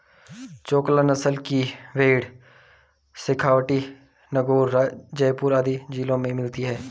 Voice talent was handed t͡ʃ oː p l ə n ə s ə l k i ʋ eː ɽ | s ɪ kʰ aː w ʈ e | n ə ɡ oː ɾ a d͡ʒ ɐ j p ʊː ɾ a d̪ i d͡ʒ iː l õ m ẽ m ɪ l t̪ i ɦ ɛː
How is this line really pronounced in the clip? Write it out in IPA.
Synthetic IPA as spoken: t͡ʃ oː k l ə n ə s ə l k i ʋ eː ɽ | s ɪ kʰ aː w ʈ i | n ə ɡ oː ɾ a d͡ʒ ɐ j p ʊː ɾ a d̪ i d͡ʒ iː l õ m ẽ m ɪ l t̪ i ɦ ɛː